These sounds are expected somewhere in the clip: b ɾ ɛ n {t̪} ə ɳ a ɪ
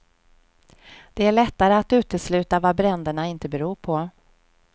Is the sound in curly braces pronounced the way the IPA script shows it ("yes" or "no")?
no